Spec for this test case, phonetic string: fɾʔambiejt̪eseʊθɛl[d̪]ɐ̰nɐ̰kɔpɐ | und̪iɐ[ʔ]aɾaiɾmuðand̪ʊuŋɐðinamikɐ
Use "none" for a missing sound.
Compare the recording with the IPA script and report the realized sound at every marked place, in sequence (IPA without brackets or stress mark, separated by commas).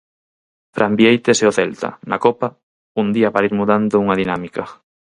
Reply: t̪, p